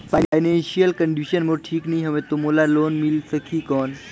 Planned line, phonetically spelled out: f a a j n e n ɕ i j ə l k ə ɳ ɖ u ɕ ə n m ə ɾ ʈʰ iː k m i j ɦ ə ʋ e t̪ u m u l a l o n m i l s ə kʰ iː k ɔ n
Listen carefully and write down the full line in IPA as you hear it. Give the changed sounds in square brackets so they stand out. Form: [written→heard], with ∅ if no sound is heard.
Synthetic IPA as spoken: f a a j n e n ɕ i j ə l k ə ɳ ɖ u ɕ ə n m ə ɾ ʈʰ iː k [m→n] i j ɦ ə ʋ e t̪ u m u l a l o n m i l s ə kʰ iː k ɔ n